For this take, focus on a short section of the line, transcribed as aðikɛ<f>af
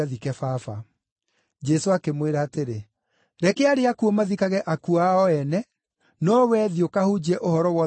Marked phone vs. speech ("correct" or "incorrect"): correct